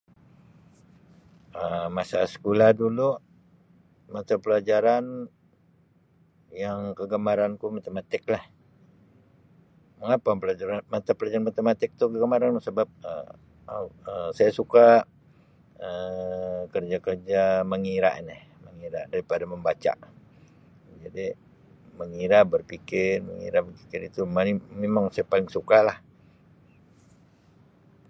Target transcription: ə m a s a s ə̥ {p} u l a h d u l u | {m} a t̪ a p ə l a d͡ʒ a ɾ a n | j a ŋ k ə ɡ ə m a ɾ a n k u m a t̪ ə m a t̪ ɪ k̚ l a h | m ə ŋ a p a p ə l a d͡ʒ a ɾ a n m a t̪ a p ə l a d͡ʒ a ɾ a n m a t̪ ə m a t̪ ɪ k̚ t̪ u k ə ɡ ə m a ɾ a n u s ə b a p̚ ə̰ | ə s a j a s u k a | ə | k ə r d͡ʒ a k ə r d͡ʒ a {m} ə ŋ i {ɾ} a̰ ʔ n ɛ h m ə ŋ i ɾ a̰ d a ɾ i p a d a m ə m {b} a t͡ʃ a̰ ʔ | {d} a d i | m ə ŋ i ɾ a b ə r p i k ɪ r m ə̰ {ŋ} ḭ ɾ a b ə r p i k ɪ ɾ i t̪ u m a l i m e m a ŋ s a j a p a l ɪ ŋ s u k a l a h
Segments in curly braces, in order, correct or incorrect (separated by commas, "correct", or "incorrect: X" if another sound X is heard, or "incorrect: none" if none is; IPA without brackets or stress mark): incorrect: k, correct, correct, correct, correct, incorrect: d͡ʒ, correct